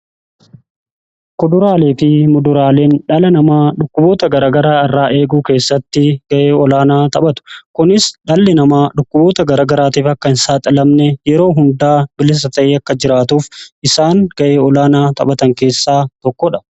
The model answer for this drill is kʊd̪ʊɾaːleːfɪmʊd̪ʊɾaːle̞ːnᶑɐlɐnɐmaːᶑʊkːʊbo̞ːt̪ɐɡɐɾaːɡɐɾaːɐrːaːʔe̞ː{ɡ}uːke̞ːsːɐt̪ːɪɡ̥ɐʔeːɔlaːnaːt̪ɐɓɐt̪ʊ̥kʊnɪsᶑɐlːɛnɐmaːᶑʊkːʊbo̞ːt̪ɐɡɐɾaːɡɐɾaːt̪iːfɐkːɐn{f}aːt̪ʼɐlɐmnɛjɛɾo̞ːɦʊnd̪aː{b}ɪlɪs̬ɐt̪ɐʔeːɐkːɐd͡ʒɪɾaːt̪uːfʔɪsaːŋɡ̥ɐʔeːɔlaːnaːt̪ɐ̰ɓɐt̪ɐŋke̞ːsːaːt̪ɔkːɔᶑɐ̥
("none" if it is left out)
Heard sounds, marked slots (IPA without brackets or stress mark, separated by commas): ɡ, s, b